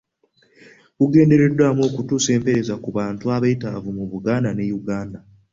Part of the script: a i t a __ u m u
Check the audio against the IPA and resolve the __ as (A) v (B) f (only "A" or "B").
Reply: A